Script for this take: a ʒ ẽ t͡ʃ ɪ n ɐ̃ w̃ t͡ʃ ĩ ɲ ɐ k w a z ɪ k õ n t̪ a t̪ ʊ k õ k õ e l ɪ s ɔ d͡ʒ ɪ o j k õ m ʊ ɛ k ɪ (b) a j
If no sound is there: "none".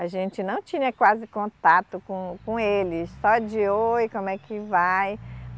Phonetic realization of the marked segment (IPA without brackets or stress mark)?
v